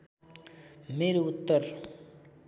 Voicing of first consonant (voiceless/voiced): voiced